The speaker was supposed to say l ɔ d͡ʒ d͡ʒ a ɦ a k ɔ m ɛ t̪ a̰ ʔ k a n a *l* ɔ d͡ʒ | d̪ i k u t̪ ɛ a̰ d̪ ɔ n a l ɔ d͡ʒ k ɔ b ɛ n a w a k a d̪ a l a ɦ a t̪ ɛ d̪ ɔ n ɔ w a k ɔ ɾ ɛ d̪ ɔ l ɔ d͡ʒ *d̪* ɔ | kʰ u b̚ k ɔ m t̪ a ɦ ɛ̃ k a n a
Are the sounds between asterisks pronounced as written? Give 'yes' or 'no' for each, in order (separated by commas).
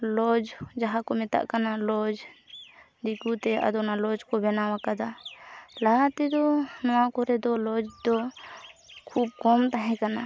yes, yes